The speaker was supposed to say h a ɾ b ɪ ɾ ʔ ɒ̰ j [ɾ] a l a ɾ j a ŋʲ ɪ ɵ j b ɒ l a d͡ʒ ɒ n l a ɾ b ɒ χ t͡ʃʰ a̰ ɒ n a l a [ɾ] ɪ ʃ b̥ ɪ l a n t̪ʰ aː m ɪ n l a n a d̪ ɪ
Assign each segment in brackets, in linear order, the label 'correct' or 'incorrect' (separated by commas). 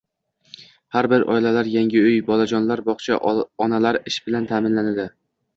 incorrect, correct